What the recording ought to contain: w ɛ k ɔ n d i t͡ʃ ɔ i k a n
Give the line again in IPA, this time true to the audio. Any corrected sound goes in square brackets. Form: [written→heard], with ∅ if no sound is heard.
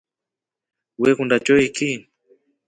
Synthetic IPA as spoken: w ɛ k [ɔ→u] n d [i→a] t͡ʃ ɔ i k [a→i] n